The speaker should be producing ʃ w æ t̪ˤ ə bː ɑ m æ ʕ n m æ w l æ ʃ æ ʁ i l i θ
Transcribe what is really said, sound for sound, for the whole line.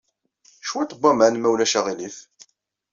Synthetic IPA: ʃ w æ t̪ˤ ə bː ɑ m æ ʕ n m æ w l æ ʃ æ ʁ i l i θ